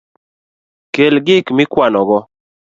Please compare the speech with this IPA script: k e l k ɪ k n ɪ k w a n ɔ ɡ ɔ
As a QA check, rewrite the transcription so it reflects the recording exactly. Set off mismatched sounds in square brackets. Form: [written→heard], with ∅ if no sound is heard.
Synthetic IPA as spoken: k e l [k→ɡ] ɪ k [n→m] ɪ k w a n ɔ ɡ ɔ